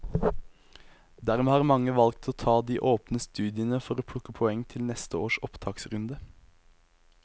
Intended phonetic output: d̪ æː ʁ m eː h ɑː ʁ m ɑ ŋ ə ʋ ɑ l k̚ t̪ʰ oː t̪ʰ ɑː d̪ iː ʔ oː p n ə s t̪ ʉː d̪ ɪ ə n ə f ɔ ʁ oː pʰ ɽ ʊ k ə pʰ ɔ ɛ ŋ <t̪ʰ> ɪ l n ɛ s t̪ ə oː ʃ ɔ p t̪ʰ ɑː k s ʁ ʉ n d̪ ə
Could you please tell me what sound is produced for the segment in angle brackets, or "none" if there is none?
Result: t̪ʰ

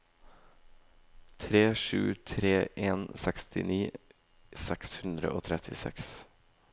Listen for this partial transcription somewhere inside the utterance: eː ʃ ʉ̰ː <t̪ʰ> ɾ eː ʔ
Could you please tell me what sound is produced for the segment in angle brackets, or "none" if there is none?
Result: t̪ʰ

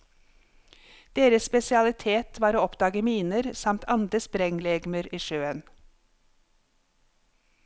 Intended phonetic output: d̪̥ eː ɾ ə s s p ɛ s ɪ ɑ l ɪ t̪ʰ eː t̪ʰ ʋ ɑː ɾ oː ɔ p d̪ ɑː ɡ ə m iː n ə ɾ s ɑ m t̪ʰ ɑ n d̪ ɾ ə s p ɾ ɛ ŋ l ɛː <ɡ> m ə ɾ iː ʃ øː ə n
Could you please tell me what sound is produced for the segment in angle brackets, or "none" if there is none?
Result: ɡ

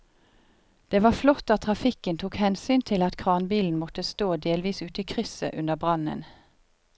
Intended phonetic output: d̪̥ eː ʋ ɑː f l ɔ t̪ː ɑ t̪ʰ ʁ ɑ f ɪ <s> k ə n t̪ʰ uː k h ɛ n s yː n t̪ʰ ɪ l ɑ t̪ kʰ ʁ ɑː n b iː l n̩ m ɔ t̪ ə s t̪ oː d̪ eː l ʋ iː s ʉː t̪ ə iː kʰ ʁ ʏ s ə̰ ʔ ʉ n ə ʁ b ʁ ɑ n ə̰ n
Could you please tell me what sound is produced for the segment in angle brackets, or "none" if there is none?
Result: none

